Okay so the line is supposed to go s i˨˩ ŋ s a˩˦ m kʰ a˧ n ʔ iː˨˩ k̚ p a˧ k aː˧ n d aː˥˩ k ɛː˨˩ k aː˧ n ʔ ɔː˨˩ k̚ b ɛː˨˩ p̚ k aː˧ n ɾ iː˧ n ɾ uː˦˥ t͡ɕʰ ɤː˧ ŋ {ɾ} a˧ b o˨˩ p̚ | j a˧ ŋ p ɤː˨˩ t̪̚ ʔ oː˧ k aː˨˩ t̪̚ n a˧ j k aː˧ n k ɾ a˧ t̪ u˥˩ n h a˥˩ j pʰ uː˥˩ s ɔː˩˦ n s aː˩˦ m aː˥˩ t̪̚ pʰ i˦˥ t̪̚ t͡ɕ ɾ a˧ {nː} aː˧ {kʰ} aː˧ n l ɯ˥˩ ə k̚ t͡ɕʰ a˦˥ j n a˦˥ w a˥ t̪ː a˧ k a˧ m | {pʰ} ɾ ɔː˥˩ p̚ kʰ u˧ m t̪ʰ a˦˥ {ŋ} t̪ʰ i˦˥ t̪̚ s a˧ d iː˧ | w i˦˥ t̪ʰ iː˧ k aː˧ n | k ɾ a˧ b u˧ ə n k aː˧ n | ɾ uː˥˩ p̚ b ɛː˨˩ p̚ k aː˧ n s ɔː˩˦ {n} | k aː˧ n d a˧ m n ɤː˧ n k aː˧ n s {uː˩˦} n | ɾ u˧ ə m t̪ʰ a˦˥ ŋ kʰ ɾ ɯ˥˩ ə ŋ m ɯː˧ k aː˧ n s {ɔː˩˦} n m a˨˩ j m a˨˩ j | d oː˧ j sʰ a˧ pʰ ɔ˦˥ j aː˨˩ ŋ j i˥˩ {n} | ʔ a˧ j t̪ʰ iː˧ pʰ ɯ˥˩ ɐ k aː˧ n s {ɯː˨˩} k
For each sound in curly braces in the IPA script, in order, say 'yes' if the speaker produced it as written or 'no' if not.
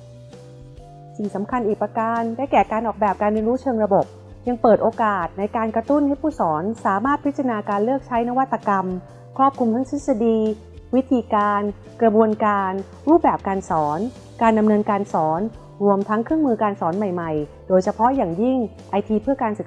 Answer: yes, no, no, no, yes, yes, no, yes, no, no

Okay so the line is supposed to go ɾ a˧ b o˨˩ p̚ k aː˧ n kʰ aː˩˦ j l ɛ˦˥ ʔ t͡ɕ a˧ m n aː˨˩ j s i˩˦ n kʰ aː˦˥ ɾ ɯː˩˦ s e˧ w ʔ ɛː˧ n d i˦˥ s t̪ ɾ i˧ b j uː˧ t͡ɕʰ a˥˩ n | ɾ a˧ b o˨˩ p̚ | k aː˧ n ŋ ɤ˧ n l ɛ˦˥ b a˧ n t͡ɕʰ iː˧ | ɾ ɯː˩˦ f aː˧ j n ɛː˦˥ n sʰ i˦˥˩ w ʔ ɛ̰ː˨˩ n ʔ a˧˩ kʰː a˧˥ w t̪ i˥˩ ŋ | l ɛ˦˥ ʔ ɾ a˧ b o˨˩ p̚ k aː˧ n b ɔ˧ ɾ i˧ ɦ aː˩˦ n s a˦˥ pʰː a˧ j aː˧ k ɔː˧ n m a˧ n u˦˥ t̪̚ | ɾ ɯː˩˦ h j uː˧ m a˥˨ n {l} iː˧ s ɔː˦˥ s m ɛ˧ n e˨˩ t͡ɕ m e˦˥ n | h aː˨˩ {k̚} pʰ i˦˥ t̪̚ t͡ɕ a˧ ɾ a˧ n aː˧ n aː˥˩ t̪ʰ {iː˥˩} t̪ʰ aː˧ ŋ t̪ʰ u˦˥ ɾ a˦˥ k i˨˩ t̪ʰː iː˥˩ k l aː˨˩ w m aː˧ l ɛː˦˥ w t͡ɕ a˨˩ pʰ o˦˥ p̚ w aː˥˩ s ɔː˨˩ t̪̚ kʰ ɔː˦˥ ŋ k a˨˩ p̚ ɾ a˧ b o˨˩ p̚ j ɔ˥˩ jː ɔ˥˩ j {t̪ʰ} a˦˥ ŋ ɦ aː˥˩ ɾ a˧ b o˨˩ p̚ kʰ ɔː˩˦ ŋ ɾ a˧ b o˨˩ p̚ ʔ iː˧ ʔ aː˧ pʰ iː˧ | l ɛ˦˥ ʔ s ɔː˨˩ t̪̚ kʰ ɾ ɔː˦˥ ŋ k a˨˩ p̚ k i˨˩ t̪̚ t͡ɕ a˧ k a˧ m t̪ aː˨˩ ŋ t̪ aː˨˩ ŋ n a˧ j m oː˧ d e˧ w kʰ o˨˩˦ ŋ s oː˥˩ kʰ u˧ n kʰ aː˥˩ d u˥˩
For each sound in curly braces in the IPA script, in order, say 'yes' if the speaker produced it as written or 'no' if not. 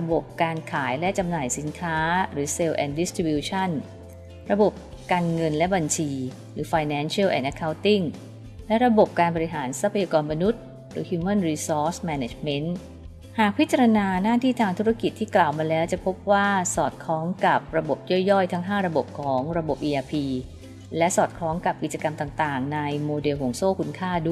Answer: no, yes, yes, yes

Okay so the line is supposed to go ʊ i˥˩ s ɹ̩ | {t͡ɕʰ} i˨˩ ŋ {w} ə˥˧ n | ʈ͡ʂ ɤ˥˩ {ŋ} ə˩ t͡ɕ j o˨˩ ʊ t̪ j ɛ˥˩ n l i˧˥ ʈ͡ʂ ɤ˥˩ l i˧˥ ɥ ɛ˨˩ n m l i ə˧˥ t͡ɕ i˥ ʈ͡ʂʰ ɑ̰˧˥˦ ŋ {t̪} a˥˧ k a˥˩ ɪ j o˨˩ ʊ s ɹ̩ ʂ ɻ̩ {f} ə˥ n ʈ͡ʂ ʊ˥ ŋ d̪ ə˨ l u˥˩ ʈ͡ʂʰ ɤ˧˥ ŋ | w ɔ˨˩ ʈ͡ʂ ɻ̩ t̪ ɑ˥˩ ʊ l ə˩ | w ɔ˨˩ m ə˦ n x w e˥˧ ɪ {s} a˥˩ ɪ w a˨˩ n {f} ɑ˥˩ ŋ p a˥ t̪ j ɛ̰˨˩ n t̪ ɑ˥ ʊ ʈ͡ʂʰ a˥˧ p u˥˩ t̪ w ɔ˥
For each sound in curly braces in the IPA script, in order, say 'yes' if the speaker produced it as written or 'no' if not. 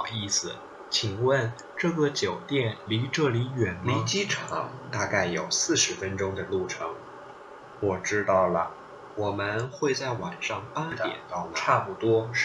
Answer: yes, yes, no, yes, yes, no, no

